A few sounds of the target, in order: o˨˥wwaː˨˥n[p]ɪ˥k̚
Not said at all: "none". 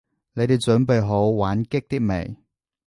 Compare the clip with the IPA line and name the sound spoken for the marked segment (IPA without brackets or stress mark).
k